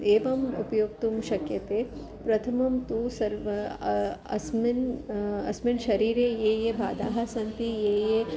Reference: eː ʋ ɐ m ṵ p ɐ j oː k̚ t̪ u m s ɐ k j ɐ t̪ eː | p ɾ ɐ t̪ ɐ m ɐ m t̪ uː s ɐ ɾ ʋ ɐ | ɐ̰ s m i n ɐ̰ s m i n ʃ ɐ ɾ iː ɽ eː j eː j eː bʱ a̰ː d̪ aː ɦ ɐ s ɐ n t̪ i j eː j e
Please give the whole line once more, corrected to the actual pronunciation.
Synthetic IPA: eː ʋ ɐ m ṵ p ɐ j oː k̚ t̪ u m ʃ ɐ k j ɐ t̪ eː | p ɾ ɐ t̪ʰ ɐ m ɐ m t̪ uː s ɐ ɾ ʋ ɐ | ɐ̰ s m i n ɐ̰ s m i n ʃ ɐ ɾ iː ɾ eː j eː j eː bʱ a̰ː d̪ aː ɦ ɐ s ɐ n t̪ i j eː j e

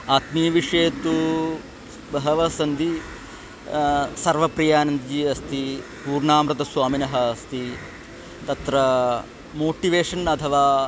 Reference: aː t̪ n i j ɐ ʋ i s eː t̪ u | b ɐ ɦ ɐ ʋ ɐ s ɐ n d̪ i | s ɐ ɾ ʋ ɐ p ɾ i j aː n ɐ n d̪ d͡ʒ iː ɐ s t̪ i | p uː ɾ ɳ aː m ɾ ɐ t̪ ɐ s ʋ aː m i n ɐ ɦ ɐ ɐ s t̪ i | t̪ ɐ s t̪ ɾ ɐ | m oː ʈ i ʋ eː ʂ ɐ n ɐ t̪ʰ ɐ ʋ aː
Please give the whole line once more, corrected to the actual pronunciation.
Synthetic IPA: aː t̪ m i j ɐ ʋ i ʂ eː t̪ u | b ɐ ɦ ɐ ʋ ɐ s ɐ n d̪ i | s ɐ ɾ ʋ ɐ p ɾ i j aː n ɐ n d̪ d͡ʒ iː ɐ s t̪ i | p uː ɾ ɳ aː m ɾ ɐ t̪ ɐ s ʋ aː m i n ɐ ɦ ɐ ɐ s t̪ i | t̪ ɐ t̪ ɾ ɐ | m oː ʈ i ʋ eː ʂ ɐ n ɐ t̪ʰ ɐ ʋ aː

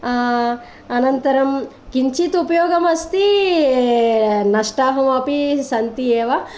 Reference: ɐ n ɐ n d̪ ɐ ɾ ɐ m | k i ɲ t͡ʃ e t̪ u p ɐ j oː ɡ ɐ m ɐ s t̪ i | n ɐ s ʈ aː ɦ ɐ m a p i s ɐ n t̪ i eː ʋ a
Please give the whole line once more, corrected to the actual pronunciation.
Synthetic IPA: ɐ n ɐ n t̪ ɐ ɾ ɐ m | k i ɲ t͡ʃ i t̪ u p ɐ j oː ɡ ɐ m ɐ s t̪ i | n ɐ ʂ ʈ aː ɦ ɐ m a p i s ɐ n t̪ i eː ʋ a

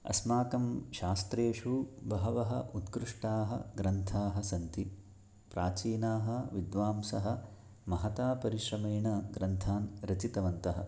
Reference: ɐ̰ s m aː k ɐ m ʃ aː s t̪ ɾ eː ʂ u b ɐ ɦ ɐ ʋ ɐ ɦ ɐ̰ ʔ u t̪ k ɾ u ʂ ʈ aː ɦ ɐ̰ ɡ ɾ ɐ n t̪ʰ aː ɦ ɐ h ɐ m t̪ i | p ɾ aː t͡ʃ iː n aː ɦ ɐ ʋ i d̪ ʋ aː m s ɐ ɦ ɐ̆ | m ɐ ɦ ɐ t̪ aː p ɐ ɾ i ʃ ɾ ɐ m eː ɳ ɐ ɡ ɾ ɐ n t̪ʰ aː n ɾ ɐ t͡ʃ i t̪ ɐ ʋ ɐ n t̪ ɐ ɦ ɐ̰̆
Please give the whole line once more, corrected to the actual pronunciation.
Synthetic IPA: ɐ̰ s m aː k ɐ m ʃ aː s t̪ ɾ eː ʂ u b ɐ ɦ ɐ ʋ ɐ ɦ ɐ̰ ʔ u t̪ k ɾ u ʂ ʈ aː ɦ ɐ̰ ɡ ɾ ɐ n t̪ʰ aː ɦ ɐ s ɐ n t̪ i | p ɾ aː t͡ʃ iː n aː ɦ ɐ ʋ i d̪ ʋ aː m s ɐ ɦ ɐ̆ | m ɐ ɦ ɐ t̪ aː p ɐ ɾ i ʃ ɾ ɐ m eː ɳ ɐ ɡ ɾ ɐ n t̪ʰ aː n ɾ ɐ t͡ʃ i t̪ ɐ ʋ ɐ n t̪ ɐ ɦ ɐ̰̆

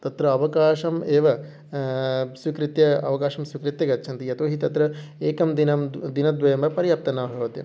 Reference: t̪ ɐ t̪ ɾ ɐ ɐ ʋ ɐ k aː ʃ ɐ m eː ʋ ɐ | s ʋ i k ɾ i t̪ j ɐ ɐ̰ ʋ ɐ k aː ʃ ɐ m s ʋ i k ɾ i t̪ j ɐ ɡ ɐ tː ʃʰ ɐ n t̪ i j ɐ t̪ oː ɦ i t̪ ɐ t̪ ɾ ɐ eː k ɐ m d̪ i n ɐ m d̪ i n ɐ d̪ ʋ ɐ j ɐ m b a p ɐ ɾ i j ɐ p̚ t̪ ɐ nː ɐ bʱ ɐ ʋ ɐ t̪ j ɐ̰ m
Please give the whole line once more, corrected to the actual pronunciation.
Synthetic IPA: t̪ ɐ t̪ ɾ ɐ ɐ ʋ ɐ k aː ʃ ɐ m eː ʋ ɐ | s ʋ i k ɾ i t̪ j ɐ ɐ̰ ʋ ɐ k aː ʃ ɐ m s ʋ i k ɾ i t̪ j ɐ ɡ ɐ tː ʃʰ ɐ n t̪ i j ɐ t̪ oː ɦ i t̪ ɐ t̪ ɾ ɐ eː k ɐ m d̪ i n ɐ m d̪ i n ɐ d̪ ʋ ɐ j ɐ m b ɐ p ɐ ɾ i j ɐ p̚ t̪ ɐ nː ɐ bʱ ɐ ʋ ɐ t̪ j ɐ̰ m

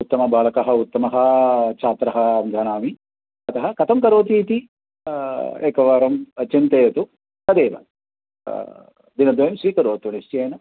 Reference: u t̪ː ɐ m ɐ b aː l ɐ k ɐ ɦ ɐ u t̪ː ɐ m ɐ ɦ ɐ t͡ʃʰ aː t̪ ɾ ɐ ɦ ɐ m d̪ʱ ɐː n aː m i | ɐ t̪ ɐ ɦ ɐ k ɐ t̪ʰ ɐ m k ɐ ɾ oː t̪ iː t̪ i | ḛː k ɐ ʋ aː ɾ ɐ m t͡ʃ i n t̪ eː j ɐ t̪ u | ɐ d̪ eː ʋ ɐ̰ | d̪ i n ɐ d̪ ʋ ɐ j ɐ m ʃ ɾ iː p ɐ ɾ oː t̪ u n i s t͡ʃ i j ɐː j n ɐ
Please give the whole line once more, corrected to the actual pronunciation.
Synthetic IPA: u t̪ː ɐ m ɐ b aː l ɐ k ɐ ɦ ɐ u t̪ː ɐ m ɐ ɦ ɐ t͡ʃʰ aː t̪ ɾ ɐ ɦ ɐ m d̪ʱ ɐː n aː m i | ɐ t̪ ɐ ɦ ɐ k ɐ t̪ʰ ɐ m k ɐ ɾ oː t̪ iː t̪ i | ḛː k ɐ ʋ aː ɾ ɐ m t͡ʃ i n t̪ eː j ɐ t̪ u | ɐ d̪ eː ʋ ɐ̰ | d̪ i n ɐ d̪ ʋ ɐ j ɐ m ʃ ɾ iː k ɐ ɾ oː t̪ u n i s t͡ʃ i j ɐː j n ɐ

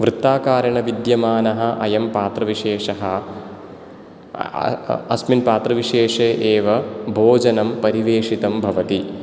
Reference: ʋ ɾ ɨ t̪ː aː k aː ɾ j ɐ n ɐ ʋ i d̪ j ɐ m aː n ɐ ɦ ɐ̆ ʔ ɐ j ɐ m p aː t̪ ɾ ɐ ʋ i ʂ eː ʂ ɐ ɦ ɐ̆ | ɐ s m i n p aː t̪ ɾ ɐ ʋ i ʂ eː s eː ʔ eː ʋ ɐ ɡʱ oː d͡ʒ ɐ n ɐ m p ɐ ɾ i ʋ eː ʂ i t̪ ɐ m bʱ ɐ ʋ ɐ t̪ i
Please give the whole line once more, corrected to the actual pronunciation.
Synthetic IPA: ʋ ɾ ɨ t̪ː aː k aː ɾ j ɐ ɳ ɐ ʋ i d̪ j ɐ m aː n ɐ ɦ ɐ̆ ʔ ɐ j ɐ m p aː t̪ ɾ ɐ ʋ i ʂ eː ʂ ɐ ɦ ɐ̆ | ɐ s m i n p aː t̪ ɾ ɐ ʋ i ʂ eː ʂ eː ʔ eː ʋ ɐ bʱ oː d͡ʒ ɐ n ɐ m p ɐ ɾ i ʋ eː ʂ i t̪ ɐ m bʱ ɐ ʋ ɐ t̪ i

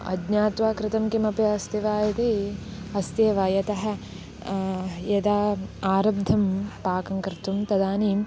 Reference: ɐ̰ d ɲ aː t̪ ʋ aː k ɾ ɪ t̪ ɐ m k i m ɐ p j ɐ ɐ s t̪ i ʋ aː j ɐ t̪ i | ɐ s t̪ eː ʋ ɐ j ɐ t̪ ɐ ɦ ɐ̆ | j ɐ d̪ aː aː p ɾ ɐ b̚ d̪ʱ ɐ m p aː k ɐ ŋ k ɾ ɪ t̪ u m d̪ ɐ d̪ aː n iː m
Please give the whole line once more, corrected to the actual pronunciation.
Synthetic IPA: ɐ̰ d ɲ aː t̪ ʋ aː k ɾ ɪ t̪ ɐ m k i m ɐ p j ɐ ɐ s t̪ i ʋ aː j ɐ t̪ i | ɐ s t̪ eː ʋ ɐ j ɐ t̪ ɐ ɦ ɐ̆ | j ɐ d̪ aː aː ɾ ɐ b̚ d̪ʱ ɐ m p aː k ɐ ŋ k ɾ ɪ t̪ u m t̪ ɐ d̪ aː n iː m

